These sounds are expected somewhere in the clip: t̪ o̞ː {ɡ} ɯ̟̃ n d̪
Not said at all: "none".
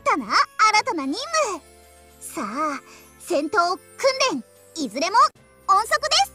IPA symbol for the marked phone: k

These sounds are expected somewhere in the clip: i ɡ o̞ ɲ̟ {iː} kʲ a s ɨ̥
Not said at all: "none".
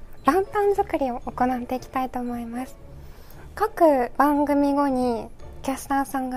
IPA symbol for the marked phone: i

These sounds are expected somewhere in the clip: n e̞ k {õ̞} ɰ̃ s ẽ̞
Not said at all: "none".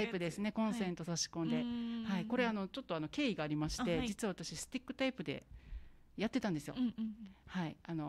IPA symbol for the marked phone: õ̞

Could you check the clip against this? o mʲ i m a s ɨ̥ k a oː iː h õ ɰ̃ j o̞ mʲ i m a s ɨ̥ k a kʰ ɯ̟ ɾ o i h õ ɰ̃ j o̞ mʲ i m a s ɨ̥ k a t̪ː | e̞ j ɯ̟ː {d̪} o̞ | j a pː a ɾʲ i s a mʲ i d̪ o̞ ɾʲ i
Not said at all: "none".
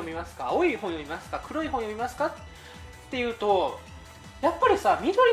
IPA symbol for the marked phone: t̪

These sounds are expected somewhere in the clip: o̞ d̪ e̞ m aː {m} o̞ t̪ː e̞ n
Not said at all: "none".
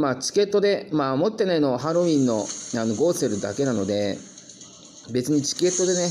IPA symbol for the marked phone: m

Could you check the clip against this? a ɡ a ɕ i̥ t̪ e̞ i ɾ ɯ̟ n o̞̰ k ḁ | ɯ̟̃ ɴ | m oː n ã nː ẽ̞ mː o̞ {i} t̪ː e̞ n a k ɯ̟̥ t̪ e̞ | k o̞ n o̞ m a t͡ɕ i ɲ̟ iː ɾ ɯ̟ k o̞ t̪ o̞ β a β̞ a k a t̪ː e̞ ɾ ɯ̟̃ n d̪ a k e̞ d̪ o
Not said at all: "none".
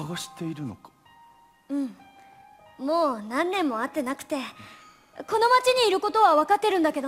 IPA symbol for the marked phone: a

